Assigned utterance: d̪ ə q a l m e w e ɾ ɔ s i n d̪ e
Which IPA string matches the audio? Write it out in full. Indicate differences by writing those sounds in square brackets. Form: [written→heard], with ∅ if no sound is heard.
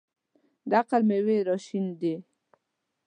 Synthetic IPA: d̪ [ə→a] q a l m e w e ɾ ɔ [s→ʃ] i n d̪ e